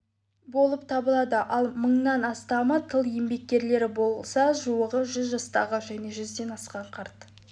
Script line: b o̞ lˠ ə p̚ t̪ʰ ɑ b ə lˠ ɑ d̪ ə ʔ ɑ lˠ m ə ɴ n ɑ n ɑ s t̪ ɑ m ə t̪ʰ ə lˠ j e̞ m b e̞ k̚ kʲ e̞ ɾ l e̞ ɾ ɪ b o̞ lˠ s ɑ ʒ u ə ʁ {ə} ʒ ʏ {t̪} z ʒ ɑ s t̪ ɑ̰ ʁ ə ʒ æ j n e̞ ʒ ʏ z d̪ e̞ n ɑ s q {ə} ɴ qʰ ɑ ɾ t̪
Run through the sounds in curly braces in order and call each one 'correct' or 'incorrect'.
correct, incorrect, incorrect

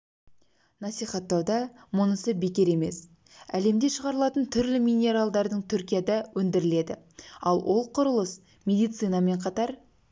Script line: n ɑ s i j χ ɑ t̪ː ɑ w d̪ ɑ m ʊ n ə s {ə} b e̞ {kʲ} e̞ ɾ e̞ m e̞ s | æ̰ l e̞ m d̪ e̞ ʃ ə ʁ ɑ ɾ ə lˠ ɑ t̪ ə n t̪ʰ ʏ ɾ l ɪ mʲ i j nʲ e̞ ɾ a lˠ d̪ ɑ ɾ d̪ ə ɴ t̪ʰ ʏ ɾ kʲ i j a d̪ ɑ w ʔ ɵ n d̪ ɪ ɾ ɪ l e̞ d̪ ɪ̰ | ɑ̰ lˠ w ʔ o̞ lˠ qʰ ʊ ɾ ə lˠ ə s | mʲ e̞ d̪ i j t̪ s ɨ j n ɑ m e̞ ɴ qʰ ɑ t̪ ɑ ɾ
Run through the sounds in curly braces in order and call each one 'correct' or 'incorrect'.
correct, correct

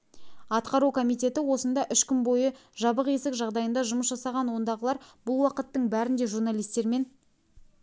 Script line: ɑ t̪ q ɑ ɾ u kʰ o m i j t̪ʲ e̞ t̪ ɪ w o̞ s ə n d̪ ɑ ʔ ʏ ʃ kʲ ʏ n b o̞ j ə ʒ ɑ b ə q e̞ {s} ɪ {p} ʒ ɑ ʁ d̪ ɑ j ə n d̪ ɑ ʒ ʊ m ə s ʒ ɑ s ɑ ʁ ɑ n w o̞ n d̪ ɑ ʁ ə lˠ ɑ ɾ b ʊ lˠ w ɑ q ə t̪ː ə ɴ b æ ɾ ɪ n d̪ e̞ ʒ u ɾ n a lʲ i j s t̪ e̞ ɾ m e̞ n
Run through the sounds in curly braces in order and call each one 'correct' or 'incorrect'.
correct, incorrect

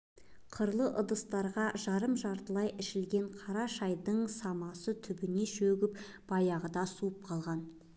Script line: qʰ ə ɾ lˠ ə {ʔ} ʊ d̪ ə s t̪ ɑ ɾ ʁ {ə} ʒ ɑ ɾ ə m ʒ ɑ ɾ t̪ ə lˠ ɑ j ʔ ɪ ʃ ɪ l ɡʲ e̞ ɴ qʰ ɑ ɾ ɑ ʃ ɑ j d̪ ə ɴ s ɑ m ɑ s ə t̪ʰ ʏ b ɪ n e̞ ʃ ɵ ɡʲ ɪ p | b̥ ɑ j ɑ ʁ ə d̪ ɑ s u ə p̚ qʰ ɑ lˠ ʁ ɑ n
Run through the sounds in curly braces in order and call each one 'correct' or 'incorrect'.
correct, incorrect

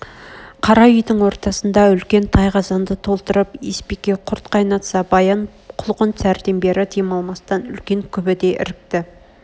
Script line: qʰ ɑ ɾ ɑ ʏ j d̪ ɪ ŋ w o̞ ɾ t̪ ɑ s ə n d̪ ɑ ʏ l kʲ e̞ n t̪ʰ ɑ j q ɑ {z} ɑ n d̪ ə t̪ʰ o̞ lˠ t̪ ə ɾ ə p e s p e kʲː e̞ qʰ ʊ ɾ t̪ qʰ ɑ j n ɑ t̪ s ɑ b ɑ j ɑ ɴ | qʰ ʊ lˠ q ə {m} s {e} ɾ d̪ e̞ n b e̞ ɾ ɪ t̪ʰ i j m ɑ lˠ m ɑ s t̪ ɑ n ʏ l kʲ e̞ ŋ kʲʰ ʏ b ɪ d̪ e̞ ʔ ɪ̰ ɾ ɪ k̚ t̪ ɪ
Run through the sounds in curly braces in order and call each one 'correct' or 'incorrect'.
correct, incorrect, incorrect

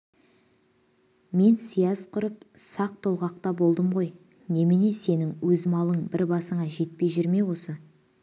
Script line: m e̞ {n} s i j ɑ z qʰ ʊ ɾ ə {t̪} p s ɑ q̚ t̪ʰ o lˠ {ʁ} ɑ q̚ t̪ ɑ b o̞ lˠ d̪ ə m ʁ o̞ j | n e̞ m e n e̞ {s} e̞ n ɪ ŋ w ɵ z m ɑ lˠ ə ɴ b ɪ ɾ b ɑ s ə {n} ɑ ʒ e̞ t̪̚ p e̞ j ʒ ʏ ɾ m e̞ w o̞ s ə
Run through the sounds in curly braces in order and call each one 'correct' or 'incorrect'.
correct, incorrect, correct, correct, incorrect

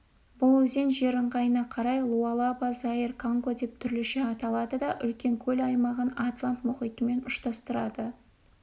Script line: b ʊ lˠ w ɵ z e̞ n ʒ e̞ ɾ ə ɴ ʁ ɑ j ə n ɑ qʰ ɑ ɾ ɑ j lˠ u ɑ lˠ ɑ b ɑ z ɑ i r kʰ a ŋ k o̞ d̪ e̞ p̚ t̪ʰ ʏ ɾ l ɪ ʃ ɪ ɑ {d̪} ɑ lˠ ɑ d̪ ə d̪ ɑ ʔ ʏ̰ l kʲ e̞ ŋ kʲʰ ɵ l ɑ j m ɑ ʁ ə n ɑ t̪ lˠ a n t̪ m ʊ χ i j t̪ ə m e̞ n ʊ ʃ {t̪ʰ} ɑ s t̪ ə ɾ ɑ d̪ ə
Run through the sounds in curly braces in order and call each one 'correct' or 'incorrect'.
incorrect, incorrect

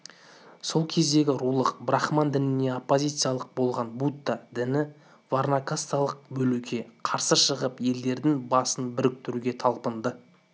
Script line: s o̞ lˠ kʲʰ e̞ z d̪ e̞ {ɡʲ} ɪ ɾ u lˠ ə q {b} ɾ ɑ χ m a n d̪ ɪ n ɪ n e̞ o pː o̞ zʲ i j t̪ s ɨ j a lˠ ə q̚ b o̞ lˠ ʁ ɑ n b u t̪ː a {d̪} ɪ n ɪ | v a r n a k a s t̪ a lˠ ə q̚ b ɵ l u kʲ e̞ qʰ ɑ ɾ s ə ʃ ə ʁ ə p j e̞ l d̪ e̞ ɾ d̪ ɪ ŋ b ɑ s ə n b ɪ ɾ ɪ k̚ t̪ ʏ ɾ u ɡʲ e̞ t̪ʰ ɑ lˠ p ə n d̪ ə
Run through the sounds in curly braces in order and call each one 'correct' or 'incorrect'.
correct, correct, correct

